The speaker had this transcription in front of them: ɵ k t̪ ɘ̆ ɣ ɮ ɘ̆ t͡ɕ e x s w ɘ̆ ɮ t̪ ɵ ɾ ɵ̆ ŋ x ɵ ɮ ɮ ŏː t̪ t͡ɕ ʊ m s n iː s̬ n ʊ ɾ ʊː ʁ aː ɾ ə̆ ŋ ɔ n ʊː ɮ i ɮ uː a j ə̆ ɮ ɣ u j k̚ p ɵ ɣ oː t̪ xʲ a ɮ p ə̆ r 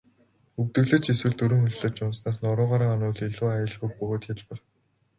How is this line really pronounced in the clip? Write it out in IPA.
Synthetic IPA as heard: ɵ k t̪ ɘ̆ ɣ ɮ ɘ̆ t͡ɕ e s w ɘ̆ ɮ t̪ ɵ ɾ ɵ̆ ŋ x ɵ ɮ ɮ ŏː t͡ɕ ʊ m s n aː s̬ n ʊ ɾ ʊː ʁ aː ɾ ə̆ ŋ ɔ n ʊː ɮ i ɮ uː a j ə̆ ɮ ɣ u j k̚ p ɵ ɣ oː t̪ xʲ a ɮ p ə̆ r